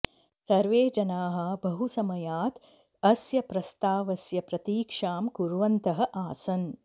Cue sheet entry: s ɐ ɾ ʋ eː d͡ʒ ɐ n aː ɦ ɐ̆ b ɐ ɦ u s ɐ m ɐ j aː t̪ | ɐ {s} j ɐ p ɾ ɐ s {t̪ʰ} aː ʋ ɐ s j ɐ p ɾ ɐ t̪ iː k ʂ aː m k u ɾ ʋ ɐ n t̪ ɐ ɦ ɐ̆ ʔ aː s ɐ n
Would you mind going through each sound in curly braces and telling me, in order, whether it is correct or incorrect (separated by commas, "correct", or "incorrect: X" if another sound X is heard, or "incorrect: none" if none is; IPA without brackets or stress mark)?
correct, incorrect: t̪